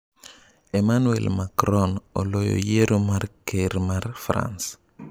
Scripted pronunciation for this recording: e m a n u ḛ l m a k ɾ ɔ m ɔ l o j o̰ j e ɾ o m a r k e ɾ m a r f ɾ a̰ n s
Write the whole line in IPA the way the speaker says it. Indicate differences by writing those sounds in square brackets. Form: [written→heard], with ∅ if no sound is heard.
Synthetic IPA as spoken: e m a n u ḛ l m a k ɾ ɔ [m→n] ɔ l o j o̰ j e ɾ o m a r k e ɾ m a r f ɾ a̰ n s